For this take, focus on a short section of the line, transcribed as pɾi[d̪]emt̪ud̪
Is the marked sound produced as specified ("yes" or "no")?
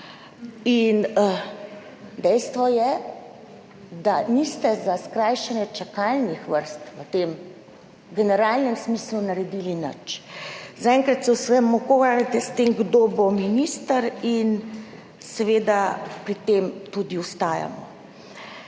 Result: no